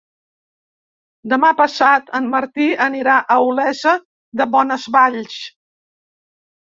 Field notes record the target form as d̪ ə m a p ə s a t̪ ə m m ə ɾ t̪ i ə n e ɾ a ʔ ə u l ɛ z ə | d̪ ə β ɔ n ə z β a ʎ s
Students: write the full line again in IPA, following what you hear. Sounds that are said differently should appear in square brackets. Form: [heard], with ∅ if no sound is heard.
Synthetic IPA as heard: d̪ ə m a p ə s a t̪ ə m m ə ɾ t̪ i ə n [i] ɾ a ʔ ə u l ɛ z ə | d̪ ə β ɔ n ə z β a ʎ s